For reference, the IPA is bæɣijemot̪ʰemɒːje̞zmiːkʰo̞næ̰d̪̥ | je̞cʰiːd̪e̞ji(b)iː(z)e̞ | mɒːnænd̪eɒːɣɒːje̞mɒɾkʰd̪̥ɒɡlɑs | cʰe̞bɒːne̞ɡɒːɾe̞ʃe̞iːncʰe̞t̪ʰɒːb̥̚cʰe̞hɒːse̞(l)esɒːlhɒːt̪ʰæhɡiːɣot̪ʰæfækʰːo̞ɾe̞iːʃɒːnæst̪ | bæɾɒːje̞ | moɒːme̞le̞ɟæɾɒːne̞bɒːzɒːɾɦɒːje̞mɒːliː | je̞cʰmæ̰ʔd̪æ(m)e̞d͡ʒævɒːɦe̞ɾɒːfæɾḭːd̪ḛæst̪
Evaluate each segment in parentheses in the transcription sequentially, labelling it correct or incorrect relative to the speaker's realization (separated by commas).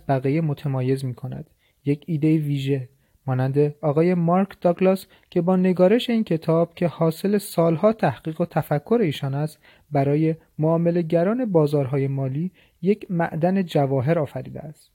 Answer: incorrect, incorrect, correct, incorrect